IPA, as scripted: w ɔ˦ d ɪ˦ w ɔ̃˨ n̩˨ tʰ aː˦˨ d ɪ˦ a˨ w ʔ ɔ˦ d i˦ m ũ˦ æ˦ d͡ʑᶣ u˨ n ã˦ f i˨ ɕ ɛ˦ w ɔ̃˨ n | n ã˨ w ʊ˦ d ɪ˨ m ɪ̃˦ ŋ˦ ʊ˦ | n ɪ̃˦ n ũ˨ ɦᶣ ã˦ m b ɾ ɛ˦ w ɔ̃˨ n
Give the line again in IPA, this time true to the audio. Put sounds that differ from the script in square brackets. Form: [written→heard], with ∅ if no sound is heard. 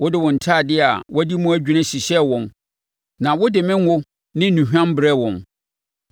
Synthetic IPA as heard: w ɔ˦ d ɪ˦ w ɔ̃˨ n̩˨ tʰ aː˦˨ d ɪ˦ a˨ w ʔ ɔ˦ d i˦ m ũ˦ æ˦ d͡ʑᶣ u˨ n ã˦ [f→ɕ] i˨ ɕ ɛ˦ w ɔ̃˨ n | n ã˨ w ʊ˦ d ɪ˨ m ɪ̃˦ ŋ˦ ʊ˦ | n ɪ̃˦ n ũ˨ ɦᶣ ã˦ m b ɾ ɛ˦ w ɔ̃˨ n